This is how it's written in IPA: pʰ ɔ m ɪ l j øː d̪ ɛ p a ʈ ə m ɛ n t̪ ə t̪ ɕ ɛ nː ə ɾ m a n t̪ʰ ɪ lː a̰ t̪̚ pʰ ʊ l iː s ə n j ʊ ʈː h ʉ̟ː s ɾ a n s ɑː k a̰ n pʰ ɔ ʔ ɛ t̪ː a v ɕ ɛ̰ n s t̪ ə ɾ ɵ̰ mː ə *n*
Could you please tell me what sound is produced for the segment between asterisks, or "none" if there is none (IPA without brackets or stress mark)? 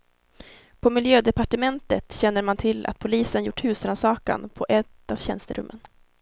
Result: n